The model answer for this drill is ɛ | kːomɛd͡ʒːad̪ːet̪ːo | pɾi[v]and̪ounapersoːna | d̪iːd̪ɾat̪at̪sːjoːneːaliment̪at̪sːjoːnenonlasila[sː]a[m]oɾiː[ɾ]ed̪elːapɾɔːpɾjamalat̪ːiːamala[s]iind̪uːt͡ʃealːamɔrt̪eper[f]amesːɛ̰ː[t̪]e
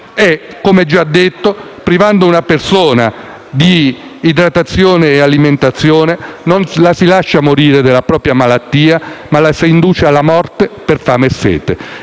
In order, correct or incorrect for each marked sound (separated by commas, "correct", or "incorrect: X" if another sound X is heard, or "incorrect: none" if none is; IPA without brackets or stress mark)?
correct, incorrect: ʃː, correct, correct, correct, correct, correct